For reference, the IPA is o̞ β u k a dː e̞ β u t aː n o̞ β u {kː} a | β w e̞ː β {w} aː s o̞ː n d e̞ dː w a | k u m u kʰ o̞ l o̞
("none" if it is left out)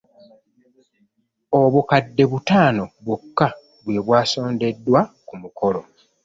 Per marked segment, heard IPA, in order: kː, w

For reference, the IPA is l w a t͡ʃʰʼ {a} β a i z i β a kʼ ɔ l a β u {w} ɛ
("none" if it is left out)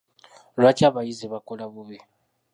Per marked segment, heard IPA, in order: a, β

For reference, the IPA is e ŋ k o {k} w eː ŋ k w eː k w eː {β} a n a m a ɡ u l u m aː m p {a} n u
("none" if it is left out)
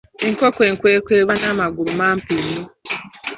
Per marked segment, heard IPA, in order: k, β, i

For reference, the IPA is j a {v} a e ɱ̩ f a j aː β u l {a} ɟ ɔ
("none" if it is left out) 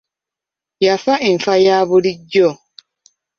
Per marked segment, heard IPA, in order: f, i

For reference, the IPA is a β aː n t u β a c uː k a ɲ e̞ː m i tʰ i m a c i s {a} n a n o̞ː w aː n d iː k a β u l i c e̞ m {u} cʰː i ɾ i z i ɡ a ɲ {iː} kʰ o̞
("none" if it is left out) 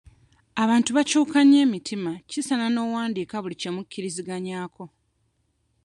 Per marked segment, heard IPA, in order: a, u, aː

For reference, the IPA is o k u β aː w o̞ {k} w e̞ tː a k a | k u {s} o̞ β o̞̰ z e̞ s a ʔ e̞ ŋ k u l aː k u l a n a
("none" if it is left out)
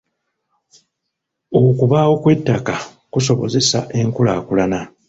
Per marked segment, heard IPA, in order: k, s

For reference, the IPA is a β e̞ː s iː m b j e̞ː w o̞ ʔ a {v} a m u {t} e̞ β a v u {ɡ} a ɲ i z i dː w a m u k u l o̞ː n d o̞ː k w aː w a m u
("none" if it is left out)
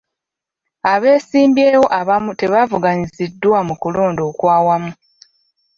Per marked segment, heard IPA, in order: β, t, ɡ

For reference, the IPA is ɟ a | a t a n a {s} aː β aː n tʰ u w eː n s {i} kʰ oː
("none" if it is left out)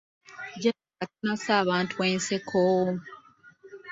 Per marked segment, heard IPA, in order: s, e

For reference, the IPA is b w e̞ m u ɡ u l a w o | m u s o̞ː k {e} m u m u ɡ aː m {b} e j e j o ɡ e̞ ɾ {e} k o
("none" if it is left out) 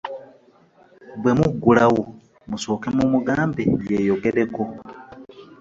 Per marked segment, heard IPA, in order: e, b, e

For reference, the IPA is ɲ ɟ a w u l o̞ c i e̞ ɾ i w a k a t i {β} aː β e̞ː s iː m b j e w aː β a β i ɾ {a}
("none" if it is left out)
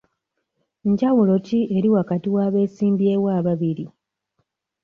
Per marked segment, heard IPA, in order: w, i

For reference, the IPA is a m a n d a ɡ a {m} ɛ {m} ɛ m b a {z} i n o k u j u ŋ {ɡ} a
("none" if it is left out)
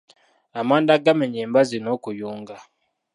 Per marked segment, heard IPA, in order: m, ɲ, z, ɡ

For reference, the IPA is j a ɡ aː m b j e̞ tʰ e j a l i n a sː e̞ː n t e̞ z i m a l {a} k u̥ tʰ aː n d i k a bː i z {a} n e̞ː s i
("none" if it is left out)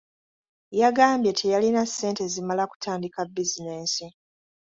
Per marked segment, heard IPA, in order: a, i

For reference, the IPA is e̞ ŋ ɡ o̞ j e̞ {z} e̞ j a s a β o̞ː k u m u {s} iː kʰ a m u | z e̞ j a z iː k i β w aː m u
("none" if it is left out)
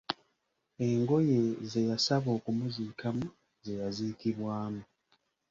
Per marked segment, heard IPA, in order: z, z

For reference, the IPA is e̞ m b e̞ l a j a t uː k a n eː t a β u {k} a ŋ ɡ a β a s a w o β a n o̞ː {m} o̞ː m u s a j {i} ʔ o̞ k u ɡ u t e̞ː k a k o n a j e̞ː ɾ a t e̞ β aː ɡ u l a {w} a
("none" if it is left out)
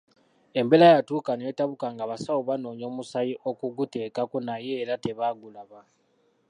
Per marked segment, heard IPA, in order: k, ɲ, i, β

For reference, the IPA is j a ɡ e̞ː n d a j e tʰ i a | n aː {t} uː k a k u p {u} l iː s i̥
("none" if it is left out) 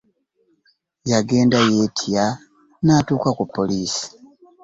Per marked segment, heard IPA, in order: t, o

